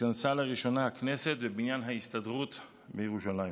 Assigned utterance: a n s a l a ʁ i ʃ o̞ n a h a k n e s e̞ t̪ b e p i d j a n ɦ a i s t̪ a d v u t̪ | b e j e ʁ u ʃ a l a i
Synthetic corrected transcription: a n s a l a ʁ i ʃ o̞ n a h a k n e s e̞ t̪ v e b i n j a n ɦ a i s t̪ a d ʁ u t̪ | b e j e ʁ u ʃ a l a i